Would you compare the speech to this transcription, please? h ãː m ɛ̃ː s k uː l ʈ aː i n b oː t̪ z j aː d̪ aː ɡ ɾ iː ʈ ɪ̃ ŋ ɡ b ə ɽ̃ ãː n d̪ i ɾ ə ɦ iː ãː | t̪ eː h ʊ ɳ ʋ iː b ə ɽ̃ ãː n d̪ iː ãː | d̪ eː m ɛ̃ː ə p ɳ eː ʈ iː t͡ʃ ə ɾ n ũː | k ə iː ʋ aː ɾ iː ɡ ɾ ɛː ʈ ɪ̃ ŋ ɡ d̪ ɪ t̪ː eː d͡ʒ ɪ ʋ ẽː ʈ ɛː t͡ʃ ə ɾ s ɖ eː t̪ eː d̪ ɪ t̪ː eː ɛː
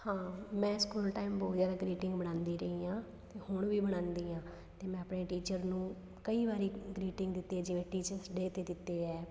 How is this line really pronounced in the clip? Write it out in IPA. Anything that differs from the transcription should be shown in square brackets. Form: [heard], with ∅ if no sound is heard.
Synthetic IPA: h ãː m ɛ̃ː s k uː l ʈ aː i [m] b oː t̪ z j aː d̪ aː ɡ ɾ iː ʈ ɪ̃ ŋ ɡ b ə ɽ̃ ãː n d̪ [iː] ɾ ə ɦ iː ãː | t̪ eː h ʊ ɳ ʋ iː b ə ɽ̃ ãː n d̪ iː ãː | [t̪] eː m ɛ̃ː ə p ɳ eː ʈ iː t͡ʃ ə ɾ n ũː | k ə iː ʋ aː ɾ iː ɡ ɾ [iː] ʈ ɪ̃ ŋ ɡ d̪ ɪ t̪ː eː d͡ʒ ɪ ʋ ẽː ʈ [iː] t͡ʃ ə ɾ s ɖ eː t̪ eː d̪ ɪ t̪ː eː ɛː

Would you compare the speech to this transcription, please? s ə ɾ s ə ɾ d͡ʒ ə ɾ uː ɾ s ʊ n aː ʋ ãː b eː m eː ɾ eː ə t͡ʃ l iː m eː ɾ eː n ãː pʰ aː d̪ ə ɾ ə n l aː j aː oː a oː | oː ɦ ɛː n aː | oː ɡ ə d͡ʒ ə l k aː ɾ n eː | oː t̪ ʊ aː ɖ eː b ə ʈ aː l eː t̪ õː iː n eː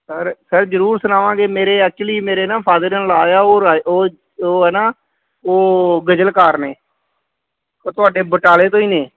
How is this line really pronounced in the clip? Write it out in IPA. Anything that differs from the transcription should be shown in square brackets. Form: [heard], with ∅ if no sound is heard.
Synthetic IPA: s ə ɾ s ə ɾ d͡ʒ ə ɾ uː ɾ s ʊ n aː ʋ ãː [ɡ] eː m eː ɾ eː ə t͡ʃ l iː m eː ɾ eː n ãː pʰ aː d̪ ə ɾ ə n l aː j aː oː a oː | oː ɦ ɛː n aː | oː ɡ ə d͡ʒ ə l k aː ɾ n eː | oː t̪ ʊ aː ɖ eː b ə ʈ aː l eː t̪ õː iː n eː

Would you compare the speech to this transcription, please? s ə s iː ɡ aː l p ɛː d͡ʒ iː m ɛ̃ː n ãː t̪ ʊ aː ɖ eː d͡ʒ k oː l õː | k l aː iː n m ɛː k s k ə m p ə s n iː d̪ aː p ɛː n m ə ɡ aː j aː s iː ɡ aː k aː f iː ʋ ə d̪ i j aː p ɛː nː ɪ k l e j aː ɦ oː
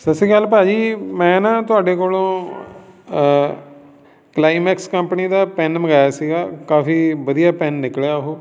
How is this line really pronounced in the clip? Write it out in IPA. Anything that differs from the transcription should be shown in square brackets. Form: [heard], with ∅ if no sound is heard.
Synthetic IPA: s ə s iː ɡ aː l p [aː] d͡ʒ iː m ɛ̃ː n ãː t̪ ʊ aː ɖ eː [∅] k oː l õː | k l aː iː [∅] m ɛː k s k ə m p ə [∅] n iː d̪ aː p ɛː n m ə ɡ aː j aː s iː ɡ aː k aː f iː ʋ ə d̪ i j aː p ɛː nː ɪ k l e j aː ɦ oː

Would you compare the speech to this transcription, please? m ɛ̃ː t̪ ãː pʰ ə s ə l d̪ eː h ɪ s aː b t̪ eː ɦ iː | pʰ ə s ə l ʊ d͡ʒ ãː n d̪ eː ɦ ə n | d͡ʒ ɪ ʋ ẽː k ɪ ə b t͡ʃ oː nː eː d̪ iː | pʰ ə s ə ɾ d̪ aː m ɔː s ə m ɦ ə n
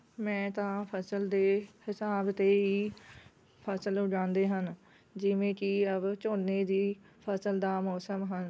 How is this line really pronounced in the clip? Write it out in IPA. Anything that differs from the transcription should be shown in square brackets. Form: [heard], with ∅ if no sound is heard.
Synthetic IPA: m ɛ̃ː t̪ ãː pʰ ə s ə l d̪ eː h ɪ s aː b t̪ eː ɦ iː | pʰ ə s ə l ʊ d͡ʒ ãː n d̪ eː ɦ ə n | d͡ʒ ɪ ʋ ẽː k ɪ ə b t͡ʃ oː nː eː d̪ iː | pʰ ə s ə [l] d̪ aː m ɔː s ə m ɦ ə n

